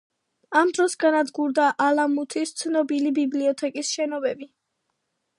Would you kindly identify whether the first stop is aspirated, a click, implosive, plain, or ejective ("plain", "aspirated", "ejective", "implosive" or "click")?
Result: plain